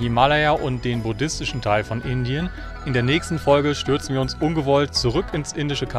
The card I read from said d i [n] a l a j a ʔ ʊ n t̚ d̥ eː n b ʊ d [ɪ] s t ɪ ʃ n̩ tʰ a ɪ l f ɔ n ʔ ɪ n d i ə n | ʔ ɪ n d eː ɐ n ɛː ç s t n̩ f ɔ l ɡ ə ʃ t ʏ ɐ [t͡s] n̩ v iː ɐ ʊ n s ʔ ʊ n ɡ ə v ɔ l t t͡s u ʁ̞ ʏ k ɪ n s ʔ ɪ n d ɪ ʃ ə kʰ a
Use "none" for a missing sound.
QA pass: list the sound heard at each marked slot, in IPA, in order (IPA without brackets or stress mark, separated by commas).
m, ɪ, t͡s